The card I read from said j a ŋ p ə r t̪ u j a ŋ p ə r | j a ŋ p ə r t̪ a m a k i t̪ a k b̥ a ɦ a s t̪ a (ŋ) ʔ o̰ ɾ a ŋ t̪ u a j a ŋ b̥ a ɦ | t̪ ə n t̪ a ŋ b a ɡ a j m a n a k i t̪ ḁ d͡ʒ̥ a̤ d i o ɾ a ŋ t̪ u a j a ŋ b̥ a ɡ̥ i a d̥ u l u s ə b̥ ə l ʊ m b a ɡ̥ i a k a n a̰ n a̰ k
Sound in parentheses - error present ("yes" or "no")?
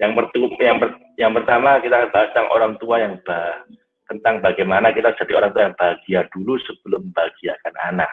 no